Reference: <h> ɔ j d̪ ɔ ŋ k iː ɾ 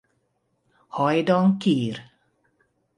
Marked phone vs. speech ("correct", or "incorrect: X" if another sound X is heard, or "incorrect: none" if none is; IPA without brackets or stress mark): correct